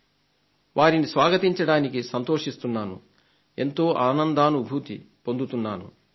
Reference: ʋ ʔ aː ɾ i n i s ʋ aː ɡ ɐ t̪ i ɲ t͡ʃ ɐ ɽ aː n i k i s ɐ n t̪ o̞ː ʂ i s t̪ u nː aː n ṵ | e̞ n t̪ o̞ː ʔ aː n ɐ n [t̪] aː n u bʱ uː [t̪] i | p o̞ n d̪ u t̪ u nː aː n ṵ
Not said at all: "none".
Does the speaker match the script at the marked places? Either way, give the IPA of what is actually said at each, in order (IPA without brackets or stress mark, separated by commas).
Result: d̪, t̪